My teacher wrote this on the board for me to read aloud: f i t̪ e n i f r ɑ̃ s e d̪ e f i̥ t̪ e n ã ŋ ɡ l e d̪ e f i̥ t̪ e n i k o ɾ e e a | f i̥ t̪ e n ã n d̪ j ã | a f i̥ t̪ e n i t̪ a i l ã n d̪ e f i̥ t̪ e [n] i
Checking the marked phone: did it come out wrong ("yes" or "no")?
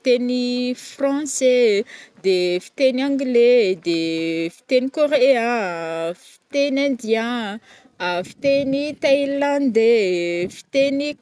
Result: no